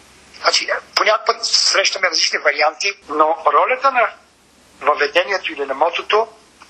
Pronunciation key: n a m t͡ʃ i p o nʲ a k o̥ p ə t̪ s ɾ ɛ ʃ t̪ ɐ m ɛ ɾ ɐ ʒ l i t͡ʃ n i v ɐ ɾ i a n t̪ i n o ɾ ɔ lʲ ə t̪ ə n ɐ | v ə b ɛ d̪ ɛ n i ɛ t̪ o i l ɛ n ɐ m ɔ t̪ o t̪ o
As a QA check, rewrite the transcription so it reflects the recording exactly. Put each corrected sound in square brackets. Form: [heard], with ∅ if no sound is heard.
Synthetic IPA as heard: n a [∅] t͡ʃ i p o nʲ a k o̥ p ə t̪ s ɾ ɛ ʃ t̪ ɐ m ɛ ɾ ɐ [z] l i t͡ʃ n i v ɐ ɾ i a n t̪ i n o ɾ ɔ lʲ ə t̪ ə n ɐ | v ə [v] ɛ d̪ ɛ n i ɛ t̪ o i l [i] n ɐ m ɔ t̪ o t̪ o